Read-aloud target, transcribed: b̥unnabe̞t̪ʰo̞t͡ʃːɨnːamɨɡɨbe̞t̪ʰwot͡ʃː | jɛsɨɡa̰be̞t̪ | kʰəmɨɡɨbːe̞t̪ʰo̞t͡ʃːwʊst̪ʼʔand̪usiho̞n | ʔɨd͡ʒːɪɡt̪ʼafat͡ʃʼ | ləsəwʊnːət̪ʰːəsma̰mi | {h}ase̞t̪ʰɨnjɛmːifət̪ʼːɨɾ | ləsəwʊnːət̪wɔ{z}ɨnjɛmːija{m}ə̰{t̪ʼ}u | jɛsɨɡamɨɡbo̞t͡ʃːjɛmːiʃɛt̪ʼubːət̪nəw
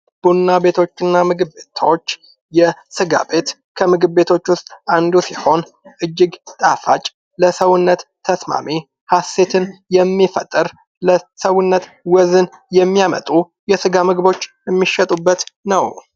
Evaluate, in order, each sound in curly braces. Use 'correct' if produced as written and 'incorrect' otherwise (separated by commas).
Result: correct, correct, correct, correct